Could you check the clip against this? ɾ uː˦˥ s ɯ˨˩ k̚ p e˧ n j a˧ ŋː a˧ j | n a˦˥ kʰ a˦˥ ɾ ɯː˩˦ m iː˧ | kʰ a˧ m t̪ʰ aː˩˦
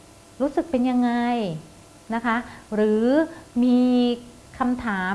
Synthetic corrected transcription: ɾ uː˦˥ s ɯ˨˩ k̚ p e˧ n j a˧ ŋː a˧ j | n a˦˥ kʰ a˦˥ ɾ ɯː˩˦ m iː˧ | kʰ a˧ m t̪ʰ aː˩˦